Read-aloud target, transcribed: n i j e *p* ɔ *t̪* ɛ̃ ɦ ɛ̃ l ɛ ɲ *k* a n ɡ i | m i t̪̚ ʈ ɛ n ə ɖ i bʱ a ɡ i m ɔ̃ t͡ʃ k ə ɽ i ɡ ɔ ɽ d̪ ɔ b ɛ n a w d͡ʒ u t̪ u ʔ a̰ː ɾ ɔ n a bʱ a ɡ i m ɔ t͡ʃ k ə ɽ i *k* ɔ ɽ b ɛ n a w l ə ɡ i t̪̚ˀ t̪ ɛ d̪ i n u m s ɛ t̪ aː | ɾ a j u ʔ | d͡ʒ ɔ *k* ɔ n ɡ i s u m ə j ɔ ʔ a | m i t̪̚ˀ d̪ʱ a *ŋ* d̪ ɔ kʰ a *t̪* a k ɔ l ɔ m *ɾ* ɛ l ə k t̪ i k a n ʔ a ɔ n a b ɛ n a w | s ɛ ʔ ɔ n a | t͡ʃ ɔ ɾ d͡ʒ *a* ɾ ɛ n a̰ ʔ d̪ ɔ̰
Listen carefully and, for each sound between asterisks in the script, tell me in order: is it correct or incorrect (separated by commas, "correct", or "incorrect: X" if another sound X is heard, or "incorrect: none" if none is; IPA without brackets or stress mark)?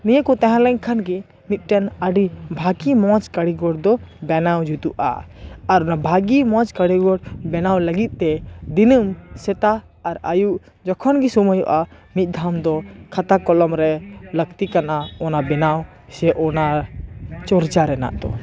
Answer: incorrect: k, correct, incorrect: kʰ, incorrect: ɡ, incorrect: kʰ, incorrect: m, correct, correct, correct